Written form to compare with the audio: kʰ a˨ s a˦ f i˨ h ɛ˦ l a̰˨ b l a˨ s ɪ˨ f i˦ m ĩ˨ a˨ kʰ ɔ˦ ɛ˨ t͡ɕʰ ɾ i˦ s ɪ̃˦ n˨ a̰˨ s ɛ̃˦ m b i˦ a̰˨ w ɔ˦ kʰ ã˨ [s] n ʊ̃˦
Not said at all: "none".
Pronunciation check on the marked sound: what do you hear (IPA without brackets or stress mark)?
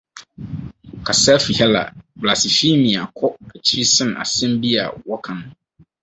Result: none